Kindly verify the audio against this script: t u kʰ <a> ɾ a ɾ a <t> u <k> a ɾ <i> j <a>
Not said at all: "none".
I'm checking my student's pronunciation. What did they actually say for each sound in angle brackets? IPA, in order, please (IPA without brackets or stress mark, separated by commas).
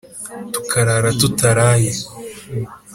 a, t, t, a, e